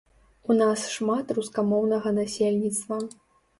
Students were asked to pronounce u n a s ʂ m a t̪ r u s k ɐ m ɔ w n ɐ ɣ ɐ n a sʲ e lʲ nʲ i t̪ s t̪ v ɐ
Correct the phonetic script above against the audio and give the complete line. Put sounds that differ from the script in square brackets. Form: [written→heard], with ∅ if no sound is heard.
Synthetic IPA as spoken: u n a s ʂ m a t̪ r u s k [ɐ→a] m ɔ w n ɐ ɣ ɐ n a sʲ e lʲ nʲ i t̪ s t̪ v ɐ